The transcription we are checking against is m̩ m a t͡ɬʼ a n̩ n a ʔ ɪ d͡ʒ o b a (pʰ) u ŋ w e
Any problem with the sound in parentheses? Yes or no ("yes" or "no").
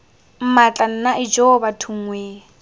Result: yes